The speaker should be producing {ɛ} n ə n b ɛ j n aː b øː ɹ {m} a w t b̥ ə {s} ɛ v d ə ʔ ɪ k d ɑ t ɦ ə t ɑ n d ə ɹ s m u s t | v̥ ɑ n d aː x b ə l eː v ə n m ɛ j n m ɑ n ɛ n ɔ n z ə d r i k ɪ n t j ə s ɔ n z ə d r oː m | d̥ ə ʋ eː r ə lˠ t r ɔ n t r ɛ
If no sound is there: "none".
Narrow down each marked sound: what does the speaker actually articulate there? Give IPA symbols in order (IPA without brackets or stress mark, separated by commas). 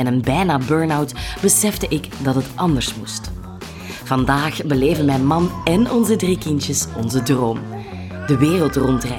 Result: ɛ, n, s